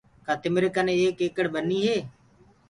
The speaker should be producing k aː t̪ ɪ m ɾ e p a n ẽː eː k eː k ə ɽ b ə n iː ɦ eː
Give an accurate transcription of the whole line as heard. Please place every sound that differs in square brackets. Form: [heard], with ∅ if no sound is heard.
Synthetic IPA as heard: k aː t̪ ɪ m ɾ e [k] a n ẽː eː k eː k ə ɽ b ə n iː ɦ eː